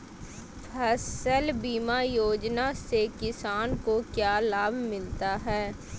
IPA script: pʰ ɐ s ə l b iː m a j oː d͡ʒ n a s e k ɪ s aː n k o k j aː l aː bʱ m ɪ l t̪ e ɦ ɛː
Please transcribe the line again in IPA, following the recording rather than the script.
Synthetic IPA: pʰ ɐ s ə l b iː m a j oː d͡ʒ n a s e k ɪ s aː n k o k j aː l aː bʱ m ɪ l t̪ a ɦ ɛː

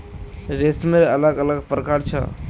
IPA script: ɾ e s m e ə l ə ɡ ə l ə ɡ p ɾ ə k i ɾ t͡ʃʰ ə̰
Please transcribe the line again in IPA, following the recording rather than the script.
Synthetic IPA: ɾ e s m e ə l ə ɡ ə l ə ɡ p ɾ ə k a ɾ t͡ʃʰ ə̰

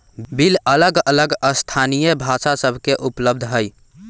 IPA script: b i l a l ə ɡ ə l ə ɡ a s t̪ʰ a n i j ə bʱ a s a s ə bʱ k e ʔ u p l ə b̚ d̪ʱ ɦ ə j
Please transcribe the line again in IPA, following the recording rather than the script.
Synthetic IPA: b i l ə l ə ɡ ə l ə ɡ ə s t̪ʰ a n i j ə bʱ a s a s ə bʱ k e ʔ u p l ə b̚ d̪ʱ ɦ ə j

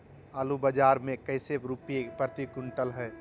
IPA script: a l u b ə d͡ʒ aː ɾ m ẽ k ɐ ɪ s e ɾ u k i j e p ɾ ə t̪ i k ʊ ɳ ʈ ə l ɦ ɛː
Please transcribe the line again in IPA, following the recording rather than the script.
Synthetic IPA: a l u b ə d͡ʒ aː ɾ m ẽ k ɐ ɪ s e ɾ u p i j e p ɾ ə t̪ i k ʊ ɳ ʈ ə l ɦ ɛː

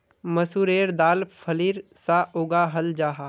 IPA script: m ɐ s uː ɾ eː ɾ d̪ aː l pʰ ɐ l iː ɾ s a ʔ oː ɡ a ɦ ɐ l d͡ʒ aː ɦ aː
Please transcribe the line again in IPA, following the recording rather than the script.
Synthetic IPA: m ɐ s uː ɾ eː ɾ d̪ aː l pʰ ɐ l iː ɾ s a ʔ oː ɡ a ɦ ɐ l d͡ʒ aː ɦ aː

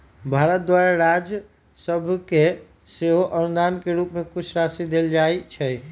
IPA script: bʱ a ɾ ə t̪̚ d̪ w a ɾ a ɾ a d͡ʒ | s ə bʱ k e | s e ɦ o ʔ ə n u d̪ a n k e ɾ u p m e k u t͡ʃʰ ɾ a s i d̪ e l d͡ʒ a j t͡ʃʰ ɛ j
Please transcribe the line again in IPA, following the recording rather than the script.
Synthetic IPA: bʱ a ɾ ə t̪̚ d̪ w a ɾ a ɾ a d͡ʒ | s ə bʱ k e | s e ɦ o ʔ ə n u d̪ a n k e ɾ u p m e k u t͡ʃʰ ɾ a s i d̪ e l d͡ʒ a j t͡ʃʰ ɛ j

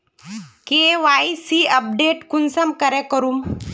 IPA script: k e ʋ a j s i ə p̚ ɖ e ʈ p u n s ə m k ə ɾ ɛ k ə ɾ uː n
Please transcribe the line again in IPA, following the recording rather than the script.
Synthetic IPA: k e ʋ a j s i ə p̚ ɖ e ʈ k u n s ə m k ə ɾ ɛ k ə ɾ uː m

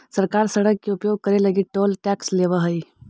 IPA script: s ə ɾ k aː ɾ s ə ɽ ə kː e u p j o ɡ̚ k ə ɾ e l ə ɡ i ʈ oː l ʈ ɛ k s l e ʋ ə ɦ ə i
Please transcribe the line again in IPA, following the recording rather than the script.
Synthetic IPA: s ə ɾ k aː ɾ s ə ɽ ə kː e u p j o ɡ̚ k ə ɾ e l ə ɡ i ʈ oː l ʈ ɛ k s l e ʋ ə ɦ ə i

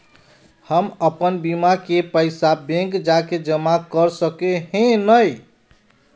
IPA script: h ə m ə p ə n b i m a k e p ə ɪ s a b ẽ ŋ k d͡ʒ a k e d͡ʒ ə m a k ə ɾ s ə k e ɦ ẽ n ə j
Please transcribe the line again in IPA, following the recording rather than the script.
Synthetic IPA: h ə m ə p ə n b i m a k e p ə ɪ s a b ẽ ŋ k d͡ʒ a k e d͡ʒ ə m a k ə ɾ s ə k e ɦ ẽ n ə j

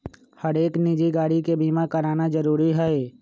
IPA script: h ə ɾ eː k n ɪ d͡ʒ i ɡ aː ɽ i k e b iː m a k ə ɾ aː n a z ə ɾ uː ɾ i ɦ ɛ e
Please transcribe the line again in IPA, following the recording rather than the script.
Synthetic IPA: h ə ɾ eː k n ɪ d͡ʒ i ɡ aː ɽ i k e b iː m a k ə ɾ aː n a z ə ɾ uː ɾ i ɦ ɛ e

